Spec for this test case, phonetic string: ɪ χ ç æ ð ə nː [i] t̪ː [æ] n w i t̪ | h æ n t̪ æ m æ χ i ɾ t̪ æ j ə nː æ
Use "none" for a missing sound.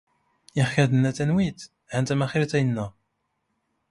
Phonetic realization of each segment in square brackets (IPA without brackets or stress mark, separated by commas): æ, æ